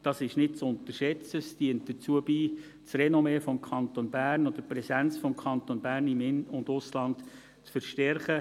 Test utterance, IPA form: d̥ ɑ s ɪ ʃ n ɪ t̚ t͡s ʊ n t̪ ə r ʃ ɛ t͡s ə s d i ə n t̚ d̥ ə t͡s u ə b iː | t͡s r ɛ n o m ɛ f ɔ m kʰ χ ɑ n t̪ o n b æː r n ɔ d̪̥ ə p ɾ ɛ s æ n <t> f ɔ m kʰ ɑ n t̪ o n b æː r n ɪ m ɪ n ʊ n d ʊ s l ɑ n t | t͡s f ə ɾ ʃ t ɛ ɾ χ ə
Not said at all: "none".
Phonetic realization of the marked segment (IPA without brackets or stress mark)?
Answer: t͡s